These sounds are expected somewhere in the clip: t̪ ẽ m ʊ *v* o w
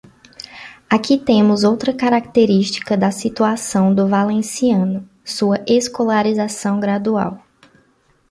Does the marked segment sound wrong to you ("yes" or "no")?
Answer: yes